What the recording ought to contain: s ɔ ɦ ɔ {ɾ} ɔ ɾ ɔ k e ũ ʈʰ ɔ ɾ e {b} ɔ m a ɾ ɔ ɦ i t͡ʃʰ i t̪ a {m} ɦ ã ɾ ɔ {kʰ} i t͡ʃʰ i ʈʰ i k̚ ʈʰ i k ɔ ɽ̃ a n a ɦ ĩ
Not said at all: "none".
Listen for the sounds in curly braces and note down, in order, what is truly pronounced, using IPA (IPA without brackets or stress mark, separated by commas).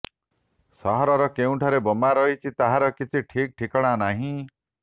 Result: ɾ, b, none, k